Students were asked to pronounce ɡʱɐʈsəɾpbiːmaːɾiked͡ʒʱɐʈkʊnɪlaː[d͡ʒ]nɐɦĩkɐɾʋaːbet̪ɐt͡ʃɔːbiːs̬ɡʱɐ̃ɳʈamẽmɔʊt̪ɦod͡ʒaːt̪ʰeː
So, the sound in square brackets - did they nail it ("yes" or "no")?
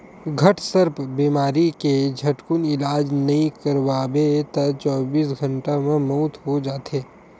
yes